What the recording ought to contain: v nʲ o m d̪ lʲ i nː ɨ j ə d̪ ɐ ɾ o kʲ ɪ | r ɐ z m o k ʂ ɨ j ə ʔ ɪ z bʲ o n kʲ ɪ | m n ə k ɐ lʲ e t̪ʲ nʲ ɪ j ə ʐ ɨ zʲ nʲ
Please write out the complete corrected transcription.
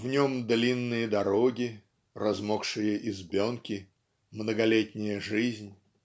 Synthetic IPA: v nʲ o m d̪ lʲ i nː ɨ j ə d̪ ɐ ɾ o ɡʲ ɪ | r ɐ z m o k ʂ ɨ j ə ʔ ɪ z bʲ o n kʲ ɪ | m n ə ɡ ɐ lʲ e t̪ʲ nʲ ɪ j ə ʐ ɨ zʲ nʲ